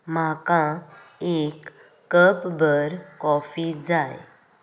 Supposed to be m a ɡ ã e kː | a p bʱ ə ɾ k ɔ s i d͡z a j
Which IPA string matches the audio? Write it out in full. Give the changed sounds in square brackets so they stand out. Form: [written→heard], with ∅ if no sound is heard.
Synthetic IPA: m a [ɡ→k] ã e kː | [a→ə] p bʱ ə ɾ k ɔ [s→f] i d͡z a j